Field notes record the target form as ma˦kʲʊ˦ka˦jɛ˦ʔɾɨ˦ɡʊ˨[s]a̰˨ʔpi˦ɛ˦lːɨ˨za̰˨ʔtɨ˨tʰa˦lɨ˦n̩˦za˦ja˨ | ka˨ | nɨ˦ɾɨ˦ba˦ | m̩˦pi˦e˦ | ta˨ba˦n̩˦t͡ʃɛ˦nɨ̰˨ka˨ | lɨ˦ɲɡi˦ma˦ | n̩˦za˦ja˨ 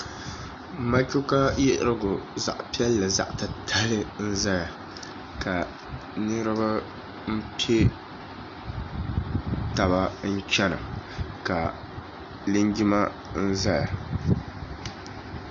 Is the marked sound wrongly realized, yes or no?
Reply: yes